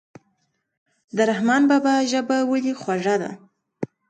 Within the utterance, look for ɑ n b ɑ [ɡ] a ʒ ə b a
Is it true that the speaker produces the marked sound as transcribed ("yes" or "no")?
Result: no